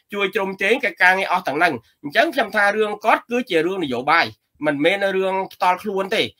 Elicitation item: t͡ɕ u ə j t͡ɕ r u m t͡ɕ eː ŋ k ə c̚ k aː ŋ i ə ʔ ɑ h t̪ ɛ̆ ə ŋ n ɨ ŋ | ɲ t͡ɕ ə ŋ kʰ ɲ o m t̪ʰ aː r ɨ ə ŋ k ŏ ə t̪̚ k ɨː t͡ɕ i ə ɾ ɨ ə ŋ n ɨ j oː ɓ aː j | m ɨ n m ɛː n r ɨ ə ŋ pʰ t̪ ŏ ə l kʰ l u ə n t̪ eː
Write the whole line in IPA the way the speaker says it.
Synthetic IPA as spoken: t͡ɕ u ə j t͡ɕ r u m t͡ɕ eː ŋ k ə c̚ k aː ŋ i ə ʔ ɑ h t̪ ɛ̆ ə ŋ n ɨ ŋ | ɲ t͡ɕ ə ŋ kʰ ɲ o m t̪ʰ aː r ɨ ə ŋ k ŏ ə t̪̚ k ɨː t͡ɕ i ə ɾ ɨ ə ŋ n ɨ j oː ɓ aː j | m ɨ n m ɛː n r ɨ ə ŋ pʰ t̪ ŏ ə l kʰ l u ə n t̪ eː